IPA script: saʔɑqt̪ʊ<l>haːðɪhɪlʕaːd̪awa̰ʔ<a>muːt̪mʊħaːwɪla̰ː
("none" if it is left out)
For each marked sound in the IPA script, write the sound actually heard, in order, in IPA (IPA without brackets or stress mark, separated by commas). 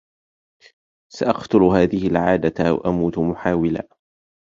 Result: l, a